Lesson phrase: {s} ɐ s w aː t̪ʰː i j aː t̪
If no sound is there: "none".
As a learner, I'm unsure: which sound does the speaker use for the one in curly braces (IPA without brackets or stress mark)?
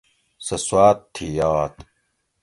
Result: s